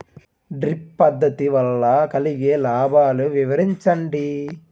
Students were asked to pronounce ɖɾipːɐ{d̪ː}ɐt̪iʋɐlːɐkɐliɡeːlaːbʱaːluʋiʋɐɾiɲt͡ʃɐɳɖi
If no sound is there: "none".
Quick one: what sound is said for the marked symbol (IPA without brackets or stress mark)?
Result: d̪ː